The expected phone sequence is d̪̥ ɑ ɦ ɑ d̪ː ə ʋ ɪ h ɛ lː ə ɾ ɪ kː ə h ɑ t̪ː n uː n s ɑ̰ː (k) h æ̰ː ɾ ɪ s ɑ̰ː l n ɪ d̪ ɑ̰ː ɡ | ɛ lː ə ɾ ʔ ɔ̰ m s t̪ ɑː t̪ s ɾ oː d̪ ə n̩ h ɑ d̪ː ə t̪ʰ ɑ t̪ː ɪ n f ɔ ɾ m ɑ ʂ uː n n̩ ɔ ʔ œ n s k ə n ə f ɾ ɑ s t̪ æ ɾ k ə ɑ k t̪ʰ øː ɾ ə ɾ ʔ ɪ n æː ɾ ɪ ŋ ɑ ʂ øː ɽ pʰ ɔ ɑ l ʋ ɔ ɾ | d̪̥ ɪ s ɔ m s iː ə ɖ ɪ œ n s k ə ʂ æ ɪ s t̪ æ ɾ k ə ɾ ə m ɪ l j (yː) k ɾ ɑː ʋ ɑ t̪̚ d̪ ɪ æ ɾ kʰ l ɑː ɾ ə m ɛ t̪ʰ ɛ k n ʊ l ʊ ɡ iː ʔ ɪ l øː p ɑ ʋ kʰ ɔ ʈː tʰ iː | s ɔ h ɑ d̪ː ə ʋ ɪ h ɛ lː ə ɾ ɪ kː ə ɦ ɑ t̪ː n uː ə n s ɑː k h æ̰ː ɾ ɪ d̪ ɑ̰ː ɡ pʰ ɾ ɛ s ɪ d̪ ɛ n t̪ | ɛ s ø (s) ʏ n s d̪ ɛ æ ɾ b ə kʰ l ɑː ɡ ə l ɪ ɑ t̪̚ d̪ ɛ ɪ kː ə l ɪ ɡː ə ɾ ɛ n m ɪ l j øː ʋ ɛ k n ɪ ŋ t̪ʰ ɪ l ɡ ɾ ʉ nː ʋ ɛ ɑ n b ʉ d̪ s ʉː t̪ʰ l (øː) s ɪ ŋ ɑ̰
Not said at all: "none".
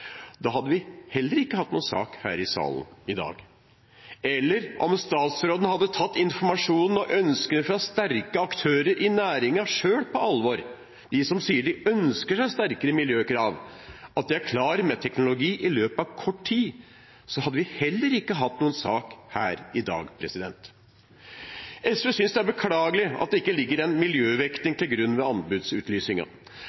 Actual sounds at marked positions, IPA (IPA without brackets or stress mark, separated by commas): k, øː, s, yː